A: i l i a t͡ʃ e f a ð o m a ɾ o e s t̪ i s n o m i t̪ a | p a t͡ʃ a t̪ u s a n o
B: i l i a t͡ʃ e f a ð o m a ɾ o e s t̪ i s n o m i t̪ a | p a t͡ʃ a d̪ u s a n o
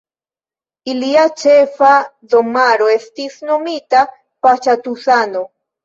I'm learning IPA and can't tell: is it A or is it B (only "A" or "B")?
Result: A